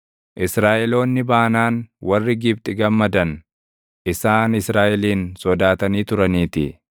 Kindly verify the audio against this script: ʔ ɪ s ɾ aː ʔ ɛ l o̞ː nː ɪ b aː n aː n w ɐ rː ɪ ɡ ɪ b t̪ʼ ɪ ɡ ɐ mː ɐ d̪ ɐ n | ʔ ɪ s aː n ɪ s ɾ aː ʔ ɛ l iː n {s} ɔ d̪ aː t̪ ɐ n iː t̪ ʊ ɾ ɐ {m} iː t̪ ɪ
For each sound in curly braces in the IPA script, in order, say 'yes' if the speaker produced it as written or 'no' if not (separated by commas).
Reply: yes, no